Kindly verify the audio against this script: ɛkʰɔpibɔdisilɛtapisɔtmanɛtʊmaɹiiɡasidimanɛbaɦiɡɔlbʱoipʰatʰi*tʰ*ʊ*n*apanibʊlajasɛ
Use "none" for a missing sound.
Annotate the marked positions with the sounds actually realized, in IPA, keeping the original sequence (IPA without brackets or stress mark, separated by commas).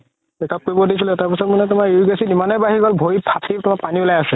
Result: t, m